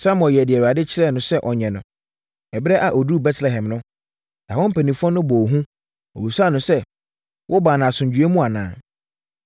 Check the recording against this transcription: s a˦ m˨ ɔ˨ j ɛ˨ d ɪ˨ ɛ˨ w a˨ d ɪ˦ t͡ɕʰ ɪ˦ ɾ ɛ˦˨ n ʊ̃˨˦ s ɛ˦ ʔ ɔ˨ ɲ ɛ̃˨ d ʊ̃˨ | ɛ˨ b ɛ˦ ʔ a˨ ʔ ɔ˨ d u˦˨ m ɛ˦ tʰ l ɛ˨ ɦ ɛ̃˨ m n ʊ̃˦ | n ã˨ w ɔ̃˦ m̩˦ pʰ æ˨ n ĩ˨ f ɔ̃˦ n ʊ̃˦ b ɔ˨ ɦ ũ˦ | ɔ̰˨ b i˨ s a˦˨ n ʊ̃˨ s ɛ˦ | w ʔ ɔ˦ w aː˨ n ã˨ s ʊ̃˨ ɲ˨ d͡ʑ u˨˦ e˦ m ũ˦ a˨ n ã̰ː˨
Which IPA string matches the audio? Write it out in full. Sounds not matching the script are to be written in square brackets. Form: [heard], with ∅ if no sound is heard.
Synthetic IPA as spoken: s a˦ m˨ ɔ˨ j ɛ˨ d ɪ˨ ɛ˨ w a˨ d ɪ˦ t͡ɕʰ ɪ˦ ɾ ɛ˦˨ n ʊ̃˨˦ s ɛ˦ ʔ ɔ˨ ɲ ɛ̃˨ [n] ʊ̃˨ | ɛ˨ b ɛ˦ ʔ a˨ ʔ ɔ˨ d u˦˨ [b] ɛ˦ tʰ l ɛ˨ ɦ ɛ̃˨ m n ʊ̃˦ | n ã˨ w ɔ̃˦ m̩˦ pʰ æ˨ n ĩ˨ f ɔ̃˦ n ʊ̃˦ b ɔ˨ ɦ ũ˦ | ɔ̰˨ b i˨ s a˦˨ n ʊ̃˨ s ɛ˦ | w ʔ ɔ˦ [b] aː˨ n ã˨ s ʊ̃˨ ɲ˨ d͡ʑ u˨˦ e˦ m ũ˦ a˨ n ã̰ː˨